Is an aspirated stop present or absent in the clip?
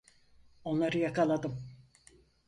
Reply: absent